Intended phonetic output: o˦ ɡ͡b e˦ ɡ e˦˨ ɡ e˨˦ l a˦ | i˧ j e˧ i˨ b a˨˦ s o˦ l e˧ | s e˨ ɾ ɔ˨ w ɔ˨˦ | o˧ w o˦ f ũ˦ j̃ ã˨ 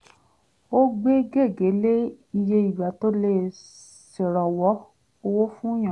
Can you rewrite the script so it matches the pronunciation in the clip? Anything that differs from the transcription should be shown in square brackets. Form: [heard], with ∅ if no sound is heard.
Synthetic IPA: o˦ ɡ͡b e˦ ɡ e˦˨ ɡ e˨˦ l [e˦] | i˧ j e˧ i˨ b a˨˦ [t] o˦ l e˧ | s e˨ ɾ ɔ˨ w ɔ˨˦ | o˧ w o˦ f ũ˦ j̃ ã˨